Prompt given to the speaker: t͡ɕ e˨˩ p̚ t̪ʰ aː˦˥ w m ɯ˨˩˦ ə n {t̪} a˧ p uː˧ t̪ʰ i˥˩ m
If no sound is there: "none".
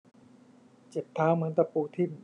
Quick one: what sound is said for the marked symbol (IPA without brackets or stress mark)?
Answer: t̪